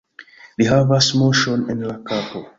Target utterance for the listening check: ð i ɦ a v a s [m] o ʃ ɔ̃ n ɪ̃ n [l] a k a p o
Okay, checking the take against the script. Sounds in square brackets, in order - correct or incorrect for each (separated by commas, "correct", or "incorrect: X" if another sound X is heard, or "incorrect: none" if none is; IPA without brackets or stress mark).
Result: correct, correct